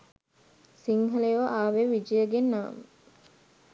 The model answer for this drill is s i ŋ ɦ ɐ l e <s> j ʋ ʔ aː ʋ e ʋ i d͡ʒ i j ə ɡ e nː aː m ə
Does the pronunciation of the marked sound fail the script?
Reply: yes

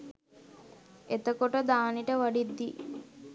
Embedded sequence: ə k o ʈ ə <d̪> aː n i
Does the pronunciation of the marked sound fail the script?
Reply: no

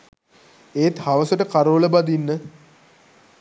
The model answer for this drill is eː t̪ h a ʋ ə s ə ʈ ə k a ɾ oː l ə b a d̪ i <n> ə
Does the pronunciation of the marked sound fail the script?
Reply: yes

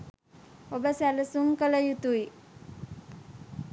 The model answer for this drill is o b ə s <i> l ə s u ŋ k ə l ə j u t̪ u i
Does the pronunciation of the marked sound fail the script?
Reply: yes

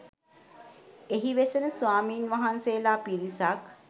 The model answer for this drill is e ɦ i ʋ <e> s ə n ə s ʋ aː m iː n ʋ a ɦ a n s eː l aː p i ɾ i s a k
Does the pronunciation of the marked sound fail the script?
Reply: no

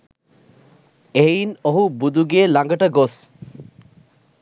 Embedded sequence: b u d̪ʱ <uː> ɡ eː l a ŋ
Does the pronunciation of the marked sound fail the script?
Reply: yes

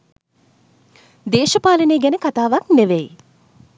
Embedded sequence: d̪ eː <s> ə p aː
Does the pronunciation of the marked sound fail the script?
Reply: yes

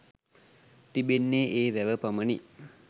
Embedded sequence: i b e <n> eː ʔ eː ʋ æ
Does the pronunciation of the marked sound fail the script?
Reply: yes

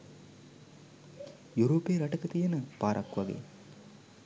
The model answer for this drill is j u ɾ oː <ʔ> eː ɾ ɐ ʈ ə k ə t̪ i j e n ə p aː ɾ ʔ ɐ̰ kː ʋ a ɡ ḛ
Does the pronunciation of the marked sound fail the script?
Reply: yes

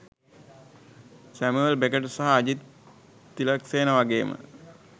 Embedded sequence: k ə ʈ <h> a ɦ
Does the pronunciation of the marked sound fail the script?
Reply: yes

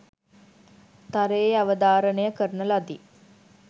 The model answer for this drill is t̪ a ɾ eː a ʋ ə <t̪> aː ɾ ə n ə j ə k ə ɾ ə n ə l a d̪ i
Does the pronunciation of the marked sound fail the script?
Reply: yes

